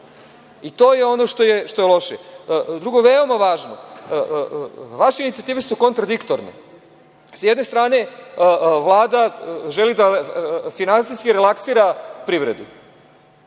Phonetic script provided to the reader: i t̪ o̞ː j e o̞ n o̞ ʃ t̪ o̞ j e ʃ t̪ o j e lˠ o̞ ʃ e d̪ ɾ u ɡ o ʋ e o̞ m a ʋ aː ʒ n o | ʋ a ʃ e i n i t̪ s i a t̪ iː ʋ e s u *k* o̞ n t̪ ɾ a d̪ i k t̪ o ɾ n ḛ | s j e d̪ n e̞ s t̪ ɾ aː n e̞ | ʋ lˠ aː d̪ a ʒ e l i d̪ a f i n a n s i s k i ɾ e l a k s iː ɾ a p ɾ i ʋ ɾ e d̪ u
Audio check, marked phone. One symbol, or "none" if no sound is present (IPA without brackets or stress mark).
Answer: k